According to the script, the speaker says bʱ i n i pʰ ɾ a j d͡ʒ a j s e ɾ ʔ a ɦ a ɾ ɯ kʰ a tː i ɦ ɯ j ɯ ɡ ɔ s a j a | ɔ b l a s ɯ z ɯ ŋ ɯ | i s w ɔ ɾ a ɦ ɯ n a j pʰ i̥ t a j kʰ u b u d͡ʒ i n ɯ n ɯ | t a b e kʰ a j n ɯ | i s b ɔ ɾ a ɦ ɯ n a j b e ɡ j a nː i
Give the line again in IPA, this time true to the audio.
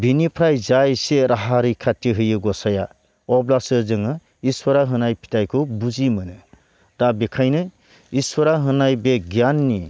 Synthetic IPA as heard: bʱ i n i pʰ ɾ a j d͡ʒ a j s e ɾ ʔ a ɦ a ɾ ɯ kʰ a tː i ɦ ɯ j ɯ ɡ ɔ s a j a | ɔ b l a s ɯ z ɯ ŋ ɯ | i s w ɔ ɾ a ɦ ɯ n a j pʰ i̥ t a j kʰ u b u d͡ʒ i m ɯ n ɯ | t a b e kʰ a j n ɯ | i s w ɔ ɾ a ɦ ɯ n a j b e ɡ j a nː i